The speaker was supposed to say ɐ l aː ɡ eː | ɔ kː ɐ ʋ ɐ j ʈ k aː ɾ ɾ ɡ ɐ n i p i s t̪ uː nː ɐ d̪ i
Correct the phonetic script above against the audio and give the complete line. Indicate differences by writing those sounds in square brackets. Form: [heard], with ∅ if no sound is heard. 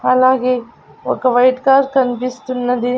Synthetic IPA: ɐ l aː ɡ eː | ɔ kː ɐ ʋ ɐ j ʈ k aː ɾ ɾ [k] ɐ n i p i s t̪ [u] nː ɐ d̪ i